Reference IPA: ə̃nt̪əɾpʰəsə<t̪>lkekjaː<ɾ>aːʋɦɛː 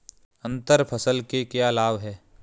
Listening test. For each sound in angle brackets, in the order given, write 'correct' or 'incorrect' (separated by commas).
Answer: incorrect, incorrect